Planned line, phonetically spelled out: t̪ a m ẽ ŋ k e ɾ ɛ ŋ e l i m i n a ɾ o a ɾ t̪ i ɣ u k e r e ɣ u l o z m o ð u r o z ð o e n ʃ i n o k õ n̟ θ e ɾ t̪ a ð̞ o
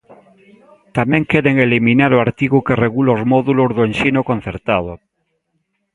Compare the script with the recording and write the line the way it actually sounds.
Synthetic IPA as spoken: t̪ a m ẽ ŋ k e ɾ e ŋ e l i m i n a ɾ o a ɾ t̪ i ɣ u k e r e ɣ u l o z m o ð u l o z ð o e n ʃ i n o k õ n̟ θ e ɾ t̪ a ð̞ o